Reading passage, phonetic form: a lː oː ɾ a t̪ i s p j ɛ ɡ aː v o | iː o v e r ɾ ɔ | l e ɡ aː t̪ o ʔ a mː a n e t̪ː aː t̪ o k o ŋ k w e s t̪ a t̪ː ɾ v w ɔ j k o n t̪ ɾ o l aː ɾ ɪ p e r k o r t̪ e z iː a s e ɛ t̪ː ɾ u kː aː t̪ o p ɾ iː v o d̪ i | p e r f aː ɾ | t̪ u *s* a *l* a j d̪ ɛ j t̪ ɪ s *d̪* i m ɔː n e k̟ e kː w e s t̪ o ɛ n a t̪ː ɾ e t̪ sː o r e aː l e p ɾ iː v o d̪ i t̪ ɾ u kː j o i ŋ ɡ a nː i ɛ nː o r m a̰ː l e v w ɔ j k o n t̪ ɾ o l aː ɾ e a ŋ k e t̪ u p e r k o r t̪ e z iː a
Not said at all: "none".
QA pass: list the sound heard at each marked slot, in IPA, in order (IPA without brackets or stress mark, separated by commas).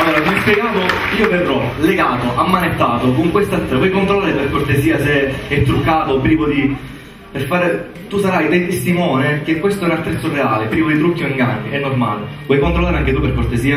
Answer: s, ɾ, t̪